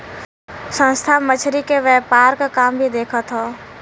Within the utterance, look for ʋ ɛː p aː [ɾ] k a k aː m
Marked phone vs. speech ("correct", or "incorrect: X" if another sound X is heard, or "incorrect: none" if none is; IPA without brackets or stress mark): correct